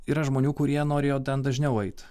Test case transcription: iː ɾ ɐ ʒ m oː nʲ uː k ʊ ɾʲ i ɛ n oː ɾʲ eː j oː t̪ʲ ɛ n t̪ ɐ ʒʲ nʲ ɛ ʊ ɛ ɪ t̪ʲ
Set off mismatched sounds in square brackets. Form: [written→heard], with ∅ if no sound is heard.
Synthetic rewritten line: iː ɾ ɐ ʒ m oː nʲ uː k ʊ ɾʲ i ɛ n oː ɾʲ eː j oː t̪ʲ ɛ n [t̪→d̪] ɐ ʒʲ nʲ ɛ ʊ ɛ ɪ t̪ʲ